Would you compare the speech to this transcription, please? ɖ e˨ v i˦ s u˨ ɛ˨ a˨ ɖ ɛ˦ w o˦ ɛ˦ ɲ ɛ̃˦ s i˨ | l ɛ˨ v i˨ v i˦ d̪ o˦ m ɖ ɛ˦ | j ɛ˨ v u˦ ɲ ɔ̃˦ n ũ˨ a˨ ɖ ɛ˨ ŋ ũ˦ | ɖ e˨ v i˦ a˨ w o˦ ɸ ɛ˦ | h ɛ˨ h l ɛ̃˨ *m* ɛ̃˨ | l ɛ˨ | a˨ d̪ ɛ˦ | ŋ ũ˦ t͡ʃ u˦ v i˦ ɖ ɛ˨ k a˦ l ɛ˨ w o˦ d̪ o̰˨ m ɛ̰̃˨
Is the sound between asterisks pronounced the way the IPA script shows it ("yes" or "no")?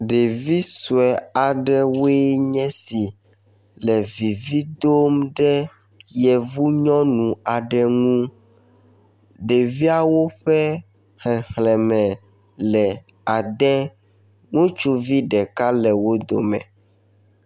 yes